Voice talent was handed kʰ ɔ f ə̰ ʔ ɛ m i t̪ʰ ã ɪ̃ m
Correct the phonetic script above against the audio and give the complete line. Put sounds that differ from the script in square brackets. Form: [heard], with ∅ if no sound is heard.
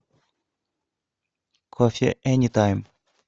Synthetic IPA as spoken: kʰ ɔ f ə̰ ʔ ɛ [n] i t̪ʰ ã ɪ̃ m